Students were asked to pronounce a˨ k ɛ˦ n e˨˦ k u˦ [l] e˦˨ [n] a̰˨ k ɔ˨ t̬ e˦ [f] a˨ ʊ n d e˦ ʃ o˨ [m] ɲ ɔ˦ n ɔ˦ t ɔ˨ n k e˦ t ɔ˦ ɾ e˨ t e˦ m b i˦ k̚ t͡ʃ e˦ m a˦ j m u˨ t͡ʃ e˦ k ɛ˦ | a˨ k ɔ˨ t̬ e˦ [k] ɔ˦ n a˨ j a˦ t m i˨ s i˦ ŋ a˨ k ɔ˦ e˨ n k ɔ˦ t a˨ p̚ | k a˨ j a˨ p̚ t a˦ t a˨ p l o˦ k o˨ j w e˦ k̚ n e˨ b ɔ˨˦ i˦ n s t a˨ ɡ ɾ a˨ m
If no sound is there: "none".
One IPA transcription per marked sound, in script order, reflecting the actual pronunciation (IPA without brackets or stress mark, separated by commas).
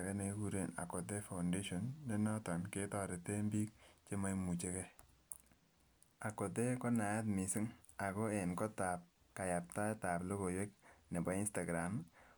ɾ, n, f, n, k